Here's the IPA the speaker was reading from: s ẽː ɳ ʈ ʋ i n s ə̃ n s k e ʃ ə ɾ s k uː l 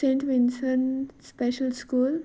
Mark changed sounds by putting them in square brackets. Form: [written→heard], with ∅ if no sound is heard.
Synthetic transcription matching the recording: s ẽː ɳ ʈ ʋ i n s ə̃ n s [k→p] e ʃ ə [ɾ→l] s k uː l

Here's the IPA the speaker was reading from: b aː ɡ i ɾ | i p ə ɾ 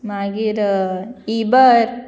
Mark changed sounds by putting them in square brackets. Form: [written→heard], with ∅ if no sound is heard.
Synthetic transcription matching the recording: [b→m] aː ɡ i ɾ | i [p→b] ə ɾ

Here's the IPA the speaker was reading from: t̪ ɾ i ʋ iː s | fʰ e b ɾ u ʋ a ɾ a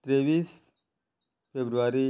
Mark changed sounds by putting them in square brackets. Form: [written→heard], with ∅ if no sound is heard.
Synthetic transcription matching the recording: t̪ ɾ [i→e] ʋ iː s | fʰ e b ɾ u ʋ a ɾ [a→i]

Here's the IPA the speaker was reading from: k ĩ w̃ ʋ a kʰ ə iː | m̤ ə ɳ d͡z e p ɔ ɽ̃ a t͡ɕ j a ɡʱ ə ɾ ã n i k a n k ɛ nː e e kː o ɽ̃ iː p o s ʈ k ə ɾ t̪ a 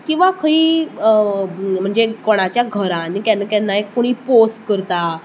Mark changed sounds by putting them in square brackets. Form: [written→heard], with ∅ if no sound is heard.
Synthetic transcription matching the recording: k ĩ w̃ ʋ a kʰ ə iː | m̤ ə ɳ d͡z e [p→k] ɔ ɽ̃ a t͡ɕ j a ɡʱ ə ɾ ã n i k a n k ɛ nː [e→a] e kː o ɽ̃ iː p o s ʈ k ə ɾ t̪ a

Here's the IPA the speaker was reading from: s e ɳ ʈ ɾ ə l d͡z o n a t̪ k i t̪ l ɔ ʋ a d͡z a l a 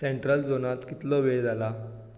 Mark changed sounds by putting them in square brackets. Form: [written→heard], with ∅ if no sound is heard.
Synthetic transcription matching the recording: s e ɳ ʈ ɾ ə l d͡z o n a t̪ k i t̪ l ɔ ʋ [a→e] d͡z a l a

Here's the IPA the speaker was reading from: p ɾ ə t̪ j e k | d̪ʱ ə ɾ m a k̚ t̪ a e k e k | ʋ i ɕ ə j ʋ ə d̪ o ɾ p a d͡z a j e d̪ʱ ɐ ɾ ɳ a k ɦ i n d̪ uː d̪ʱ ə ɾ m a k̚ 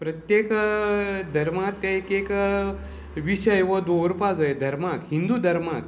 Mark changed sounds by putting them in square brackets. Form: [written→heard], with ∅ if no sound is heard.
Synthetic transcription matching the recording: p ɾ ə t̪ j e k | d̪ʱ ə ɾ m a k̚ t̪ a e k e k | ʋ i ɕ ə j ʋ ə d̪ o ɾ p a d͡z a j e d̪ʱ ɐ ɾ [ɳ→m] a k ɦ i n d̪ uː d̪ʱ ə ɾ m a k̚

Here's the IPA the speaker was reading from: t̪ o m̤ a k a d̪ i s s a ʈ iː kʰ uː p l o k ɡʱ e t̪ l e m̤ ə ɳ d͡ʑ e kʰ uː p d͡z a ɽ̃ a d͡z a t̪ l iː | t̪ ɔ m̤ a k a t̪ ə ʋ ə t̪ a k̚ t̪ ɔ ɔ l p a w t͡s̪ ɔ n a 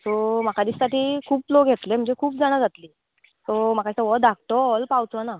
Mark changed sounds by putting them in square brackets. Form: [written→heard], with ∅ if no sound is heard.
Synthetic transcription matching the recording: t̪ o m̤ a k a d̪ i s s a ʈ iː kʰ uː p l o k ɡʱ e t̪ l e m̤ ə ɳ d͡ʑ e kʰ uː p d͡z a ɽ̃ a d͡z a t̪ l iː | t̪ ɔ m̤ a k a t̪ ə ʋ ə [t̪→d̪] a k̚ t̪ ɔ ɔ l p a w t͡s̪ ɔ n a

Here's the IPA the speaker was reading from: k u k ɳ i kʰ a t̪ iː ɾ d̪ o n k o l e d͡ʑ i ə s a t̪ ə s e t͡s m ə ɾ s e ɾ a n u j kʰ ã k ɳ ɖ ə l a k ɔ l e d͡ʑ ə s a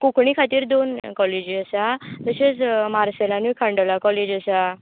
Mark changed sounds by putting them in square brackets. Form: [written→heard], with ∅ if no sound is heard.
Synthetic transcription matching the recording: k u k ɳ i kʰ a t̪ iː ɾ d̪ o n k [o→ɔ] l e d͡ʑ i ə s a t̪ ə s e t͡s m [ə→a] ɾ s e [ɾ→l] a n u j kʰ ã [k→∅] ɳ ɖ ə l a k ɔ l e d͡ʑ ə s a

